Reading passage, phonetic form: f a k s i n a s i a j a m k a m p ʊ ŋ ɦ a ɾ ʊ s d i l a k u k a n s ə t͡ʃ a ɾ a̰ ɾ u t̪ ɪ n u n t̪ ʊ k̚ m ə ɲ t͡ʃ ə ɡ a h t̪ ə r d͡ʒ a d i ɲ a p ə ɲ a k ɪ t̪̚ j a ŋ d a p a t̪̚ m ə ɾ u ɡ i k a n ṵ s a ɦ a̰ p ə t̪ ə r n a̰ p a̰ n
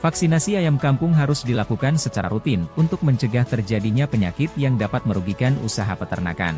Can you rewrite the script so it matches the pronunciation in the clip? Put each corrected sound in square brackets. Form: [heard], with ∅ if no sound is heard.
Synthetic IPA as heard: f a k s i n a s i a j a m k a m p ʊ ŋ ɦ a ɾ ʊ s d i l a k u k a n s ə t͡ʃ a ɾ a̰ ɾ u t̪ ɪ n u n t̪ ʊ k̚ m ə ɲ t͡ʃ ə ɡ a h t̪ ə r d͡ʒ a d i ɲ a p ə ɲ a k ɪ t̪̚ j a ŋ d a p a t̪̚ m ə ɾ u ɡ i k a n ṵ s a ɦ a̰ p ə t̪ ə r n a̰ [k] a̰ n